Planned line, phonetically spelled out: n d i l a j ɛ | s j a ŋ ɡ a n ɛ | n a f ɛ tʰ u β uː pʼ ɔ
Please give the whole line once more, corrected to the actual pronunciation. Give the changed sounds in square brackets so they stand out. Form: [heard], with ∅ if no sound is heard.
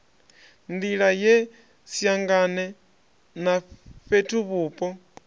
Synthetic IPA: n d i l a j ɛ | s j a ŋ ɡ a n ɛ | n a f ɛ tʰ u β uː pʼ ɔ